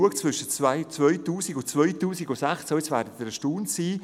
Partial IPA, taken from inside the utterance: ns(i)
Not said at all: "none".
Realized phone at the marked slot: iː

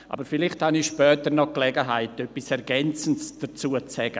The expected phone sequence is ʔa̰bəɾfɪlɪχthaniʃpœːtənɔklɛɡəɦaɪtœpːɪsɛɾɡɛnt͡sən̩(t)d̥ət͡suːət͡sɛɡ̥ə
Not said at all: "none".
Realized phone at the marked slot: s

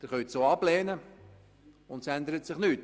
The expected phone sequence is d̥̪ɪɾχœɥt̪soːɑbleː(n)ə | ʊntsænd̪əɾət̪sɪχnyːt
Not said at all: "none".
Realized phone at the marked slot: n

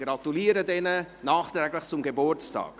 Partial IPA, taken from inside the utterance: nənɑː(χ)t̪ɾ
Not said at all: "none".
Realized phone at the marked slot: χ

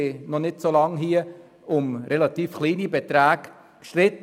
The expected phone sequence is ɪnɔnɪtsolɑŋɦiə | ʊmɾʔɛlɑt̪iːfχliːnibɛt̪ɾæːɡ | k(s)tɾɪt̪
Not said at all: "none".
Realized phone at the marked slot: ʃ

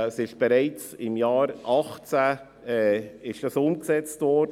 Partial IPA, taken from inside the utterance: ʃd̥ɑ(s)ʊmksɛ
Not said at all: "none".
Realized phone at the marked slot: s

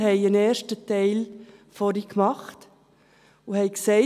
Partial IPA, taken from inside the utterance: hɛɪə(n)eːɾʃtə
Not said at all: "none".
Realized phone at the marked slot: n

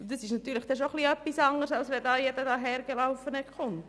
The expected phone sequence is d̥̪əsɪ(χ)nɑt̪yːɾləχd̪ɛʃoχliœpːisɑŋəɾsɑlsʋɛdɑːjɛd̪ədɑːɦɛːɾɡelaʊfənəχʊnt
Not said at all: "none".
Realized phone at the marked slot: ʃ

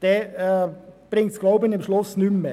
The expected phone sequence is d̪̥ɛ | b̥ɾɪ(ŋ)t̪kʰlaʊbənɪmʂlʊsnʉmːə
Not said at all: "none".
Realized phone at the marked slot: ŋ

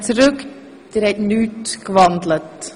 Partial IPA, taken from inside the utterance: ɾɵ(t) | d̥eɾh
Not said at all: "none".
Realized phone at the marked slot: k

